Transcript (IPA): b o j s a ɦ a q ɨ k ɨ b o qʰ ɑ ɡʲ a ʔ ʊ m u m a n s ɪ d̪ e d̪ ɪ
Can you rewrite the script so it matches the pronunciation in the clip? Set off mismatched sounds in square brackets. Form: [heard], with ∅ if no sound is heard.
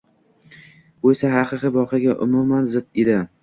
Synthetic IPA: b o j s a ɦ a q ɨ [q] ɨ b [ɒ] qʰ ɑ ɡʲ a ʔ ʊ m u m a n [z] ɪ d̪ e d̪ ɪ